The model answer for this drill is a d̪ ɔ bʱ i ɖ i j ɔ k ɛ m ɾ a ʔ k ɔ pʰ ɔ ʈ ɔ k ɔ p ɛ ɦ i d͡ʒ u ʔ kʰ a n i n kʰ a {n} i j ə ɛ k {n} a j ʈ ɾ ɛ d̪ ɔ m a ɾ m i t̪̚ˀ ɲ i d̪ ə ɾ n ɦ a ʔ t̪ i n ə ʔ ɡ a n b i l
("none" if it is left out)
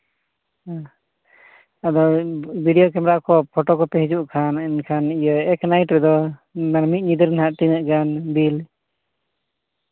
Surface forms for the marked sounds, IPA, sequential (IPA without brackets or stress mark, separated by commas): n, n